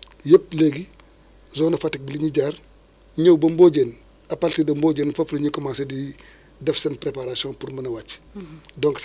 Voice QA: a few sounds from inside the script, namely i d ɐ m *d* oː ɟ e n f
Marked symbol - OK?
no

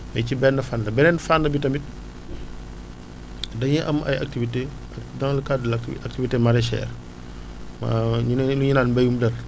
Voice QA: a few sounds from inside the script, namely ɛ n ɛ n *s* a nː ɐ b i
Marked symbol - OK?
no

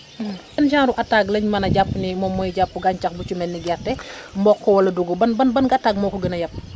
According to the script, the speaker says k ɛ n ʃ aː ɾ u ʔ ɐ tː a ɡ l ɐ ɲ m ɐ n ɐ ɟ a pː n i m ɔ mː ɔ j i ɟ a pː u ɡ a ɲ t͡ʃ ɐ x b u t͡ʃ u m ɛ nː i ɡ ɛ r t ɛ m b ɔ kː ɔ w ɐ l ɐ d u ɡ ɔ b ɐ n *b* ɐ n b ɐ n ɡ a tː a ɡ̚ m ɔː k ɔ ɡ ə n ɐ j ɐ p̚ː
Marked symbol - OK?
yes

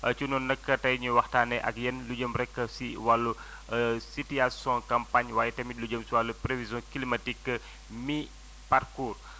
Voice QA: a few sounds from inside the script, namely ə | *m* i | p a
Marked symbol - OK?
yes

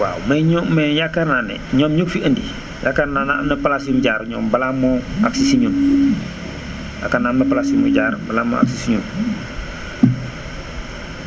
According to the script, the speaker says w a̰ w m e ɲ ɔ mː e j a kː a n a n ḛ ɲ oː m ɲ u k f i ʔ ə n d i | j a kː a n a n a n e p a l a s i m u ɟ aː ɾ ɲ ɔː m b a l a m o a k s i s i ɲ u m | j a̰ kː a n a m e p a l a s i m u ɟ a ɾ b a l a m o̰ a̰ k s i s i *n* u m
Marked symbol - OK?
no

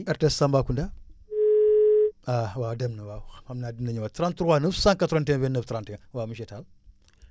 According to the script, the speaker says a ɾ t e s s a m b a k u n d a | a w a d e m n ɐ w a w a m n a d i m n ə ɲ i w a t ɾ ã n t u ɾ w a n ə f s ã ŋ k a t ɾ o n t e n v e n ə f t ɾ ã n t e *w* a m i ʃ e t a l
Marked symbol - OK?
yes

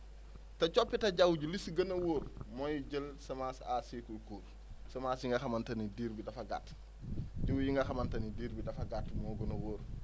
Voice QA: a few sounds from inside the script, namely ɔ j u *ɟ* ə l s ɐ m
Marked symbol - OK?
yes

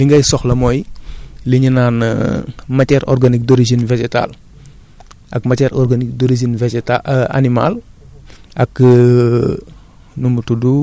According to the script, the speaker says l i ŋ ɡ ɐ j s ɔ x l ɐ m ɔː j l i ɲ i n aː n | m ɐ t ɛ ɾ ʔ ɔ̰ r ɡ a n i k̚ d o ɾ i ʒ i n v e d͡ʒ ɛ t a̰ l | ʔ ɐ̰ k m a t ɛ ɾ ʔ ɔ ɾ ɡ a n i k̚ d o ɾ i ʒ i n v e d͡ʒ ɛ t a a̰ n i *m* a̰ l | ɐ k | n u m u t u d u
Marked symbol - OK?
yes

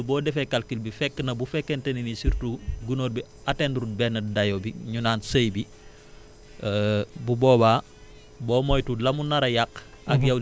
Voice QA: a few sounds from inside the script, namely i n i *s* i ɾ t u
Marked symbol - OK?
yes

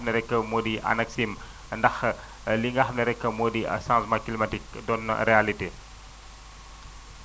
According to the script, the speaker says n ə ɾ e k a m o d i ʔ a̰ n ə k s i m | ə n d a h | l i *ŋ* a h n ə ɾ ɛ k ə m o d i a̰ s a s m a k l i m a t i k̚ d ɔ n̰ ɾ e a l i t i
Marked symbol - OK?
yes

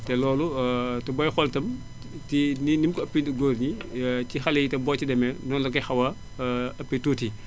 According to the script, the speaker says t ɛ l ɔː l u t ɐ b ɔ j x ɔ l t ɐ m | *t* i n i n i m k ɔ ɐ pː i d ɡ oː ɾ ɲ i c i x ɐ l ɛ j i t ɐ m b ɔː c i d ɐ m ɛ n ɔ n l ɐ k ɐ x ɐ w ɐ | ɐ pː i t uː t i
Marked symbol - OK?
yes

